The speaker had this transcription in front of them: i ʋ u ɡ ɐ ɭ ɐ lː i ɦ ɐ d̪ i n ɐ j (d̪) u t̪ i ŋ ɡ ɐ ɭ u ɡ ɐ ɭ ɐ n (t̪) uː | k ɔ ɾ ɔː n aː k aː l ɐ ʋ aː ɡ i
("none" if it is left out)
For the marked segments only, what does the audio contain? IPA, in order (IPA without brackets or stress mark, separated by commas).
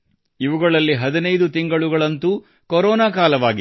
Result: d̪, t̪